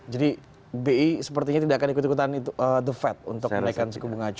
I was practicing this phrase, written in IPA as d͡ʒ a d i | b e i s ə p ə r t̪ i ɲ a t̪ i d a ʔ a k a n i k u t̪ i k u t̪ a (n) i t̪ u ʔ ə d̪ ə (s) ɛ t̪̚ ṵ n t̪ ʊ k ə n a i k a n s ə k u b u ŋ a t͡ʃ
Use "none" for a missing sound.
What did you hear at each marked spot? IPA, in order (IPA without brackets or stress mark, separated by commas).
n, f